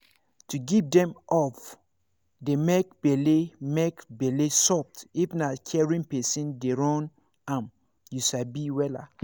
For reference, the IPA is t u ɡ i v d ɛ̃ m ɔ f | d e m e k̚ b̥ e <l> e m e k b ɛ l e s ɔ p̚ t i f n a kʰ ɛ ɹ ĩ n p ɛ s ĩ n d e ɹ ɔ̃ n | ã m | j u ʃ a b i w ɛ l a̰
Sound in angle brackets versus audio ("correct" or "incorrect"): correct